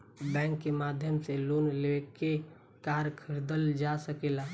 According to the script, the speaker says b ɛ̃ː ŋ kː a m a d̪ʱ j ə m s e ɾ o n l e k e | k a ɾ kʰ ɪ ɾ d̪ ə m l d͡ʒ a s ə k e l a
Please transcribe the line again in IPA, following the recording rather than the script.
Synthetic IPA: b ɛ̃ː ŋ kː e m a d̪ʱ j ə m s e l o n l e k e | k a ɾ kʰ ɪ ɾ d̪ ə l d͡ʒ a s ə k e l a